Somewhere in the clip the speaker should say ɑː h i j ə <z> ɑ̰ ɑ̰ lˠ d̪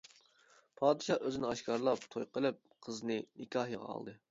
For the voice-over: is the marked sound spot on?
no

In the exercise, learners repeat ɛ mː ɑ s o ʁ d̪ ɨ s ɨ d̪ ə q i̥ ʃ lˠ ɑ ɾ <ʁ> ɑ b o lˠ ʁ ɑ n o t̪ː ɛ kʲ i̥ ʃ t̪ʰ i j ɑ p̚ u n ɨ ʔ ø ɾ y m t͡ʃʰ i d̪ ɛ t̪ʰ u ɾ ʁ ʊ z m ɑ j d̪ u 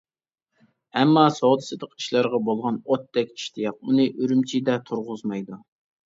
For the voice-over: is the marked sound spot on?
yes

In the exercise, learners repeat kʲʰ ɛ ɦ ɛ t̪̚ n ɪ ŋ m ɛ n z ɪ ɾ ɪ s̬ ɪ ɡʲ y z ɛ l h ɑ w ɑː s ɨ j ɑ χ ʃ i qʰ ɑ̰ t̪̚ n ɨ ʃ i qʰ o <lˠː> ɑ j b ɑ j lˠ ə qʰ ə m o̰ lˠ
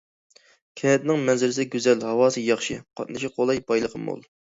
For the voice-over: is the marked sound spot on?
no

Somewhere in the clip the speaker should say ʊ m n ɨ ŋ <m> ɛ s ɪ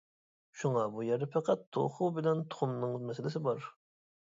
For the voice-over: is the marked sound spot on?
yes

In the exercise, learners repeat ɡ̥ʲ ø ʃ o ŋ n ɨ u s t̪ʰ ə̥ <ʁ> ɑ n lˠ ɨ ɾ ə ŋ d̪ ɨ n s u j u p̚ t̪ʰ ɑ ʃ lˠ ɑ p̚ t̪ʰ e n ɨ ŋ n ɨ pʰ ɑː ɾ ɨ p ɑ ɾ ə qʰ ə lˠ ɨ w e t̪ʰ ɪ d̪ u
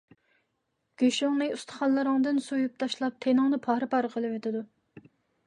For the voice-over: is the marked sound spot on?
no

